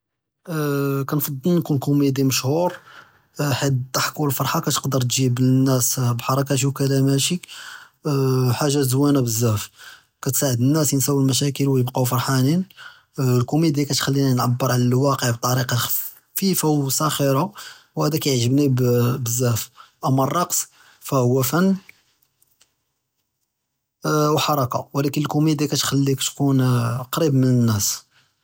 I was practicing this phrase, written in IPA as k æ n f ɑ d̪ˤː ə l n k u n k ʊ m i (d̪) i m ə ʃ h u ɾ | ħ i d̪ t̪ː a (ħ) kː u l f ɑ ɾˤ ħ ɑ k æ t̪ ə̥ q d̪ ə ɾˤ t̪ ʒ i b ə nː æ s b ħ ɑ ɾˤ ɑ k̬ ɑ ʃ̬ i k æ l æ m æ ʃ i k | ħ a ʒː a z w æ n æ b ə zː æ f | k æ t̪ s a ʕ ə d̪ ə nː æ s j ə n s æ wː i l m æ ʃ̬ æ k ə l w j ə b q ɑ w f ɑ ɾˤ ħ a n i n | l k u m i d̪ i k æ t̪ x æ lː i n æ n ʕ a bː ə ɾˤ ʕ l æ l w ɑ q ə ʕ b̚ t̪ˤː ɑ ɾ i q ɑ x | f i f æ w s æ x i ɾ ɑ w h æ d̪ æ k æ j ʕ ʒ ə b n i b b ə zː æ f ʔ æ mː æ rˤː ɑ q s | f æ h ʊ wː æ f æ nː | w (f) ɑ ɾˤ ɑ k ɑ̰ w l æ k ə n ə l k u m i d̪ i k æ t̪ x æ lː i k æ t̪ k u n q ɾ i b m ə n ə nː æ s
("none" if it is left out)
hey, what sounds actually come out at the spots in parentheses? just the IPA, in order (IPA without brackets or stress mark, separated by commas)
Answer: d̪, ħ, ħ